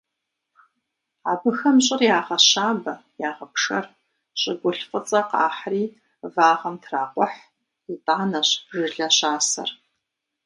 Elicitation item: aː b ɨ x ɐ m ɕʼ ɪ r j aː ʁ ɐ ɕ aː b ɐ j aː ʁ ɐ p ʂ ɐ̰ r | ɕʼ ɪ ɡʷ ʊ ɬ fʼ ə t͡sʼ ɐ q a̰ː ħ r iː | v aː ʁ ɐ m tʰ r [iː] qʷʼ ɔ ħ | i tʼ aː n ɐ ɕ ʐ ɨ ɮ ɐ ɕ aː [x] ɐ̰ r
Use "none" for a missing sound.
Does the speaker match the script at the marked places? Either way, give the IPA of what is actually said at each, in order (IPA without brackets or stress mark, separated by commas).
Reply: aː, s